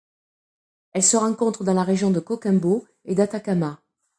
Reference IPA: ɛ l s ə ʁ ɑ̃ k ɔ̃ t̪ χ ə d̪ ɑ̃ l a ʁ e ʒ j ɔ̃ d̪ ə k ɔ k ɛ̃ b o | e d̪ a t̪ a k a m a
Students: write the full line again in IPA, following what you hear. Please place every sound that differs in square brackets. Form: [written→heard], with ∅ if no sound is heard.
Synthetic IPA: ɛ l s ə ʁ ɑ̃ k ɔ̃ t̪ χ ə d̪ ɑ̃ l a ʁ e ʒ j ɔ̃ d̪ ə k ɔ k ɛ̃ b o | e d̪ a t̪ a k a m a

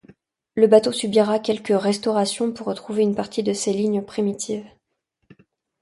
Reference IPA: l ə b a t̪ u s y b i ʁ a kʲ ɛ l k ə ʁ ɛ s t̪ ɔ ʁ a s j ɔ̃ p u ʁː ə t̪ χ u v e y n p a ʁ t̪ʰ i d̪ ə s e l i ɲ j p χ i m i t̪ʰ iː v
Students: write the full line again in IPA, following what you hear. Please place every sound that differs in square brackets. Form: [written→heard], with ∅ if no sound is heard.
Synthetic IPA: l ə b a t̪ [u→o] s y b i ʁ a kʲ ɛ l k ə ʁ ɛ s t̪ ɔ ʁ a s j ɔ̃ p u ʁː ə t̪ χ u v e y n p a ʁ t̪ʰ i d̪ ə s e l i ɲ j p χ i m i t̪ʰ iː v

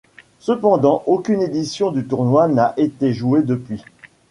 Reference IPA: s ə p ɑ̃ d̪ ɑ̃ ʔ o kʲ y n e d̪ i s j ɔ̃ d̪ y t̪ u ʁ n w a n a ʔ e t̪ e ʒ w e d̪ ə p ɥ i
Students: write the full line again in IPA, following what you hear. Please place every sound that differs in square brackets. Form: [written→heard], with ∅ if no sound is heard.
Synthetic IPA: s ə p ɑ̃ d̪ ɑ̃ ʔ o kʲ y n e d̪ i s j ɔ̃ d̪ y t̪ u ʁ n w a n a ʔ e t̪ e ʒ [w→u] e d̪ ə p ɥ i

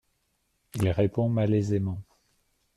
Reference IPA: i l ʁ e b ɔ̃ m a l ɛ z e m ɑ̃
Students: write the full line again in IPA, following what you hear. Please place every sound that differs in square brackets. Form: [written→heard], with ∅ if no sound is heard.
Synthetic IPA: i l ʁ e [b→p] ɔ̃ m a l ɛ z e m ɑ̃

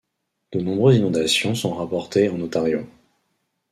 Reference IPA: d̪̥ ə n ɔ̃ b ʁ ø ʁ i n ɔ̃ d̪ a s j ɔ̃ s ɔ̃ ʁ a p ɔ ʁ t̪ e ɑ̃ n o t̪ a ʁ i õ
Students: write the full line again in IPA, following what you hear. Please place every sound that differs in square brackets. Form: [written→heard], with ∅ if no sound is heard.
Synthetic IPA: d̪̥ ə n ɔ̃ b ʁ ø [ʁ→z] i n ɔ̃ d̪ a s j ɔ̃ s ɔ̃ ʁ a p ɔ ʁ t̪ e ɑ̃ n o t̪ a ʁ [i→j] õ

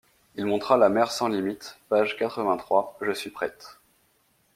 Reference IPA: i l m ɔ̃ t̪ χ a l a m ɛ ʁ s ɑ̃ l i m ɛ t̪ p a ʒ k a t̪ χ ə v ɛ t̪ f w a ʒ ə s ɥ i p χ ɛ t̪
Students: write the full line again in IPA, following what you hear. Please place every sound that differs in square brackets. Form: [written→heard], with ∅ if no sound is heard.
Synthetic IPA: i l m ɔ̃ t̪ χ a l a m ɛ ʁ s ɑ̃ l i m [ɛ→i] t̪ p a ʒ k a t̪ χ ə v [ɛ→ɛ̃] t̪ [f→χ] w a ʒ ə s ɥ i p χ ɛ t̪

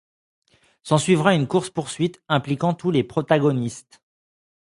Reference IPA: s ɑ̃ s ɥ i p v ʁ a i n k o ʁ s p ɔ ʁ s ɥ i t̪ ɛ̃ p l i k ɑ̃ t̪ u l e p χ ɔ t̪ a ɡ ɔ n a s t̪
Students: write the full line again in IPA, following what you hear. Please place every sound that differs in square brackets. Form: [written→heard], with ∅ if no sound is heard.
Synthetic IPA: s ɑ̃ s ɥ i [p→∅] v ʁ a [i→y] n k [o→u] ʁ s p [ɔ→u] ʁ s ɥ i t̪ ɛ̃ p l i k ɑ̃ t̪ u l e p χ ɔ t̪ a ɡ ɔ n [a→i] s t̪

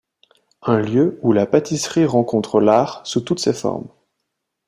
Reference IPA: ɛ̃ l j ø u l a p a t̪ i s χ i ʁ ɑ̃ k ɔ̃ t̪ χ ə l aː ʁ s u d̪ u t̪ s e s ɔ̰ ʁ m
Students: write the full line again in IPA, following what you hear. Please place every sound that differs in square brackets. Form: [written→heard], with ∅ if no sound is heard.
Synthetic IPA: ɛ̃ l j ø u l a p a t̪ i s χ i ʁ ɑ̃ k ɔ̃ t̪ χ ə l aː ʁ s u [d̪→t̪] u t̪ s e [s→f] ɔ̰ ʁ m

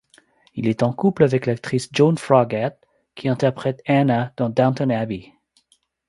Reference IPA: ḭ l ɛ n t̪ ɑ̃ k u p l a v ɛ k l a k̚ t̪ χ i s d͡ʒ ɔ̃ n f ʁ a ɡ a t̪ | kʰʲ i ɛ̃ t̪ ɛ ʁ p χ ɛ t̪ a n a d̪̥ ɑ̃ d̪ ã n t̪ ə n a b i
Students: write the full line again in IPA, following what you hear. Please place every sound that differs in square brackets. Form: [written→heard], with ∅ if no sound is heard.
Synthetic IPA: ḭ l ɛ [n→∅] t̪ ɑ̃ k u p l a v ɛ k l a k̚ t̪ χ i s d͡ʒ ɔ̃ n f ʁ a ɡ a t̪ | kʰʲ i ɛ̃ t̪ ɛ ʁ p χ ɛ t̪ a n a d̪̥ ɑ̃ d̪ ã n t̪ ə n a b i

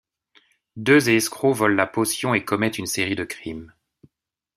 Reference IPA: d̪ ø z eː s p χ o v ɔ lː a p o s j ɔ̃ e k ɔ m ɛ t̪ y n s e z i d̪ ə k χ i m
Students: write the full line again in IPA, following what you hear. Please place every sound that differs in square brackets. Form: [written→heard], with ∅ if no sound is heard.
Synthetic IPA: d̪ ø z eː s [p→k] χ o v ɔ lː a p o s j ɔ̃ e k ɔ m ɛ t̪ y n s e [z→ʁ] i d̪ ə k χ i m

